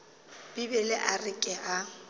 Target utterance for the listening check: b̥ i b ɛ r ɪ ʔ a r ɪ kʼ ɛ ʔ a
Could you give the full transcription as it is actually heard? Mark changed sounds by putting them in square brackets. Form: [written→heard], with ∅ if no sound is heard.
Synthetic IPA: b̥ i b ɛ [r→l] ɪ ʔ a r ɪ kʼ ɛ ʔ a